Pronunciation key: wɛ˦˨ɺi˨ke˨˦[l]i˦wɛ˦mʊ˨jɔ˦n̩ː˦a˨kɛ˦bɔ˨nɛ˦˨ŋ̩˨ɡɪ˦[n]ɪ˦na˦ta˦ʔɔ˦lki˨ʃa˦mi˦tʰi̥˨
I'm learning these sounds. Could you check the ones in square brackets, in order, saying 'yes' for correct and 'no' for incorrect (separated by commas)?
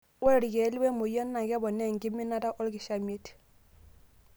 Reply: yes, no